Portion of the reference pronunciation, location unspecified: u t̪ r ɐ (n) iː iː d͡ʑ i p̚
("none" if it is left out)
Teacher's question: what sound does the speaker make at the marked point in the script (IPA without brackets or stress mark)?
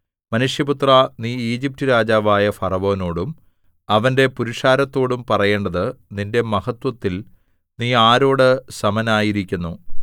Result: n